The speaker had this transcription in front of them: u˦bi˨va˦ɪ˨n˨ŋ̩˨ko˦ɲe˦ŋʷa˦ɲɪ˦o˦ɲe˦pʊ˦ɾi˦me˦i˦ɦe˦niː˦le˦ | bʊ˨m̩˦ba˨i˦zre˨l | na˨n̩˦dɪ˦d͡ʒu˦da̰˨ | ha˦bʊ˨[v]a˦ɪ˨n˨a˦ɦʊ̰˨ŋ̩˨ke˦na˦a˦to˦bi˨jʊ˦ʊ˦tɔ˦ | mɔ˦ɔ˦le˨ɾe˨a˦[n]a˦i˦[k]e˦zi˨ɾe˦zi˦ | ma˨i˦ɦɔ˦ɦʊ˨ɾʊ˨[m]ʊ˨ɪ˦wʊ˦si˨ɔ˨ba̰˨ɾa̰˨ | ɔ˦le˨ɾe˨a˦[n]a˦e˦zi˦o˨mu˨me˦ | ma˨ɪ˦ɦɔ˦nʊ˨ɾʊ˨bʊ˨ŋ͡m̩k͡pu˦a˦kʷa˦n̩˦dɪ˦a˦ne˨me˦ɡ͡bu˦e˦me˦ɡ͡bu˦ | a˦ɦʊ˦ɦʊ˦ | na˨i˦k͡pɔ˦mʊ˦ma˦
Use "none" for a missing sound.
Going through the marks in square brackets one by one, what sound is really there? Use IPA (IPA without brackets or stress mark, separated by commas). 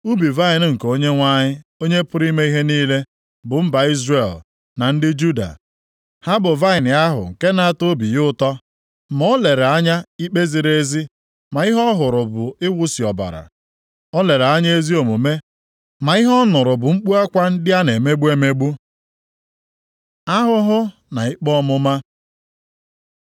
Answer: v, ɲ, k͡p, b, ɲ